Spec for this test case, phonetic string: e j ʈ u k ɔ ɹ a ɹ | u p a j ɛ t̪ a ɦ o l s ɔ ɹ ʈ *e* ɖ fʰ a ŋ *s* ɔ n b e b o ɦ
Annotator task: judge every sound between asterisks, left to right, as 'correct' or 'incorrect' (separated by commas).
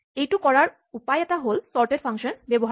correct, incorrect